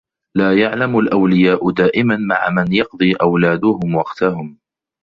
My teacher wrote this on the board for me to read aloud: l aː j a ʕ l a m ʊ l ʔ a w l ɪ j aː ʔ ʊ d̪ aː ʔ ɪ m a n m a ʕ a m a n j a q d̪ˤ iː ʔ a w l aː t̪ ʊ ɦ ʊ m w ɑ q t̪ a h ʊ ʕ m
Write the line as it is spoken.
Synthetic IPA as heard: l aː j a ʕ l a m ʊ l ʔ a w l ɪ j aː ʔ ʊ d̪ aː ʔ ɪ m a n m a ʕ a m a n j ɑ q d̪ˤ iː ʔ a w l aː d̪ ʊ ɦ ʊ m w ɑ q t̪ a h ʊ m

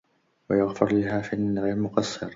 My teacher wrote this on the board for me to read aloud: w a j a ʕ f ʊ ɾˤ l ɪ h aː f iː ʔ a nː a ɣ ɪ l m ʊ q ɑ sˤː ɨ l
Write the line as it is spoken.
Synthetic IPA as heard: w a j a ɣ f ʊ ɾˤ l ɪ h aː f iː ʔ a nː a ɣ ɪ l m ʊ q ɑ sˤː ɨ ɾ

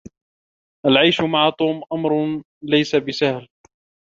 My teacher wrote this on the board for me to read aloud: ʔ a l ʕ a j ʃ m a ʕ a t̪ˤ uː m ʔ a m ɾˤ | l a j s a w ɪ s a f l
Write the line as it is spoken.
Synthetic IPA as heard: ʔ a l ʕ a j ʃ m a ʕ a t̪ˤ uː m ʔ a m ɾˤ | l a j s a b ɪ s a h l

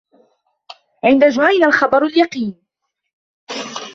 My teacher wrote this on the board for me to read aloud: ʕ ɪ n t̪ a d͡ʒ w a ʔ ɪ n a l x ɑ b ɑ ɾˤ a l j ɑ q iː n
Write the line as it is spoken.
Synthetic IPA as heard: ʕ ɪ n d̪ a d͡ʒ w a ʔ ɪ n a l x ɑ b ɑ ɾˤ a l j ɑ q iː n

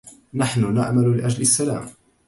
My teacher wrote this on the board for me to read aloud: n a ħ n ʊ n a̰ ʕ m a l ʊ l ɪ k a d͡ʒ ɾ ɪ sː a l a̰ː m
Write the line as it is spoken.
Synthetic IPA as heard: n a ħ n ʊ n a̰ ʕ m a l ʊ l ɪ ʔ a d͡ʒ l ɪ sː a l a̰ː m

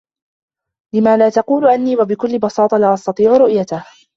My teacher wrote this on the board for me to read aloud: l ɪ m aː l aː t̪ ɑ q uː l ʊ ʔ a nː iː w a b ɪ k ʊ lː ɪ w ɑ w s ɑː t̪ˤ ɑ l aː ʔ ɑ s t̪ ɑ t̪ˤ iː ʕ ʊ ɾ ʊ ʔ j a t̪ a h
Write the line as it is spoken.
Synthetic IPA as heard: l ɪ m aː l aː t̪ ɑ q uː l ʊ ʔ a nː iː w a b ɪ k ʊ lː ɪ b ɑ s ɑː t̪ˤ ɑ l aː ʔ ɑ s t̪ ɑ t̪ˤ iː ʕ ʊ ɾ ʊ ʔ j a t̪ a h

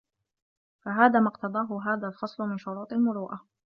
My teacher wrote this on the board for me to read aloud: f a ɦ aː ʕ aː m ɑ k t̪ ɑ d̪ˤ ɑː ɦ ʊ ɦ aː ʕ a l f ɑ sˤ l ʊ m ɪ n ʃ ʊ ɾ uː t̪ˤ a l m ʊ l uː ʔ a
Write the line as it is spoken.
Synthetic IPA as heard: f a ɦ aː ð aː m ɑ q t̪ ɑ d̪ˤ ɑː ɦ ʊ ɦ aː ð a l f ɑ sˤ l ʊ m ɪ n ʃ ʊ ɾ uː t̪ˤ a l m ʊ ɾ uː ʔ a

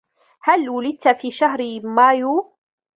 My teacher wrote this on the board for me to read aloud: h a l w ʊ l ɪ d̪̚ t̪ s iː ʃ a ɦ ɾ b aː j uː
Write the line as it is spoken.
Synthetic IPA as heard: h a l w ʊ l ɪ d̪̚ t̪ f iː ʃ a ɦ ɾ m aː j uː

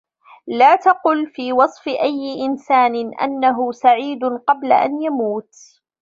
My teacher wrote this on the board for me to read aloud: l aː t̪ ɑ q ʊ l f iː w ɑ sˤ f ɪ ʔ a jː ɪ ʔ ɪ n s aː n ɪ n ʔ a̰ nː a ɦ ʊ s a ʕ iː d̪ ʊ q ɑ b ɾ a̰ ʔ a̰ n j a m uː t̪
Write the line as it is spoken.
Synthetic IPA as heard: l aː t̪ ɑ q ʊ l f iː w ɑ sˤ f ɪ ʔ a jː ɪ ʔ ɪ n s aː n ɪ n ʔ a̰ nː a ɦ ʊ s a ʕ iː d̪ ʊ q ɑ b l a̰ ʔ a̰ n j a m uː t̪

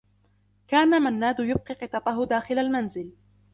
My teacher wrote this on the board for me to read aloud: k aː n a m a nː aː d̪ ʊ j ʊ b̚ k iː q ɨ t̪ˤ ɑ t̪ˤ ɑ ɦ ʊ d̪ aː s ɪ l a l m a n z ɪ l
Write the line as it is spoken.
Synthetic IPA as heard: k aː n a m a nː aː d̪ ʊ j ʊ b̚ q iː q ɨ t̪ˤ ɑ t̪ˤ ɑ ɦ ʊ d̪ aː x ɪ l a l m a n z ɪ l

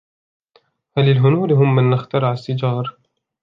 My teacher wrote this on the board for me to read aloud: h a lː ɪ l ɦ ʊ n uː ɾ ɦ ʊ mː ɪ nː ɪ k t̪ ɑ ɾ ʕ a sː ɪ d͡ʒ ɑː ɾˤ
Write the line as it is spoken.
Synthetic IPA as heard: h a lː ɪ l ɦ ʊ n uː ɾ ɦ ʊ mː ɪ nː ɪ x t̪ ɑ ɾ ʕ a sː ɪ d͡ʒ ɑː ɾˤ

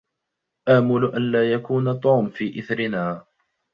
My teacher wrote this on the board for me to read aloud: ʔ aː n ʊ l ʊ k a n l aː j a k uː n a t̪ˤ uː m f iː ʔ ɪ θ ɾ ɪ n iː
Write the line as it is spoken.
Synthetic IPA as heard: ʔ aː m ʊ l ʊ ʔ a n l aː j a k uː n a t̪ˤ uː m f iː ʔ ɪ θ ɾ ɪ n aː

